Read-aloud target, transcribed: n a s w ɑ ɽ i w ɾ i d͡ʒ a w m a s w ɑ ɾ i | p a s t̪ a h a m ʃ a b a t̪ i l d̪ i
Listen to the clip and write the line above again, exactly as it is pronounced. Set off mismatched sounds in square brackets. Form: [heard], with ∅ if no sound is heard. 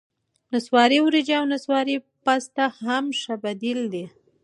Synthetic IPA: n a s w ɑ [ɾ] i w ɾ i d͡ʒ a w [n] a s w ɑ ɾ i | p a s t̪ a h a m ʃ a b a [d̪] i l d̪ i